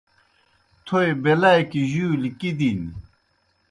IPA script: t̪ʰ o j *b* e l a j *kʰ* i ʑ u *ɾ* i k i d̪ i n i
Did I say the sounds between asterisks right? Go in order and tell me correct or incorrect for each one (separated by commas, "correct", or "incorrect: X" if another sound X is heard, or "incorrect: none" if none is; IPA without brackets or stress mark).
correct, incorrect: k, incorrect: l